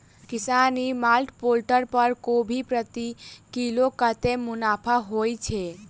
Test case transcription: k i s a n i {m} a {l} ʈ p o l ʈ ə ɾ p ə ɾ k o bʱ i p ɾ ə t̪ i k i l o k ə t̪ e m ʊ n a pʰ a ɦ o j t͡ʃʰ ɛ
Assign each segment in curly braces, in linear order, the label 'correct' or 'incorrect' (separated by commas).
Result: correct, correct